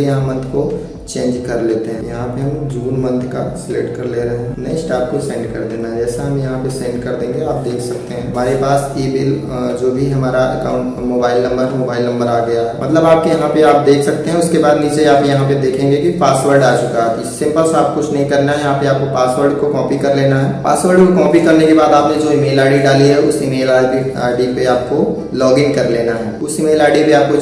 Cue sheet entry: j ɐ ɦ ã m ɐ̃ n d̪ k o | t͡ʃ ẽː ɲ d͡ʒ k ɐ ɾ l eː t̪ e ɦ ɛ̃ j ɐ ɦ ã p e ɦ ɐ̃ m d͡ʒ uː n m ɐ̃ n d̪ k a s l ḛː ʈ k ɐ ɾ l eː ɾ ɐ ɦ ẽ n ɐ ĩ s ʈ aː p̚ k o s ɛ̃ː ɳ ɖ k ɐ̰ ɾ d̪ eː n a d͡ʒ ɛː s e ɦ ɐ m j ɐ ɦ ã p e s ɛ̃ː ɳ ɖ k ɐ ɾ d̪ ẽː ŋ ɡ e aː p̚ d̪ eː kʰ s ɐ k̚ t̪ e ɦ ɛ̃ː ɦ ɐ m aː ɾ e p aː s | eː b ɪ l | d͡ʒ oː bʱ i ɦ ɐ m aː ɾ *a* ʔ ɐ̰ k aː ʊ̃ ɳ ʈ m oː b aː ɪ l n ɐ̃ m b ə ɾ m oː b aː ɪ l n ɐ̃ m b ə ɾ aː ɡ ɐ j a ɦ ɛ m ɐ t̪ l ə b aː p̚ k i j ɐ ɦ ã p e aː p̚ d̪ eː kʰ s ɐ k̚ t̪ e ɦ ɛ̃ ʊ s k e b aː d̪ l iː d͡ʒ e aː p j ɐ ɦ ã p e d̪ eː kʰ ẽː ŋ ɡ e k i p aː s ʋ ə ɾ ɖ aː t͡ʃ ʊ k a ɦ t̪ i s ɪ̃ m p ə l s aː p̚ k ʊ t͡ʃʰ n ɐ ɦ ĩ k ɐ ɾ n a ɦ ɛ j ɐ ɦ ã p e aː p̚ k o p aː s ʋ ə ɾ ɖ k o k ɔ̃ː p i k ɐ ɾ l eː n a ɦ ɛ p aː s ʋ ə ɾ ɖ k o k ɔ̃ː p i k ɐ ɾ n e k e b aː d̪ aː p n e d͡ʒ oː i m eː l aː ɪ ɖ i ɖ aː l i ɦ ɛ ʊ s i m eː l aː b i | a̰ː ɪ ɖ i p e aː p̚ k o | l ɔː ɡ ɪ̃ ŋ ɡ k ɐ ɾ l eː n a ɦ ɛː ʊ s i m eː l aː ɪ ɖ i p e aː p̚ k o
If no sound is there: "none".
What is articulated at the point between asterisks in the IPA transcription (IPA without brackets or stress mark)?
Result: a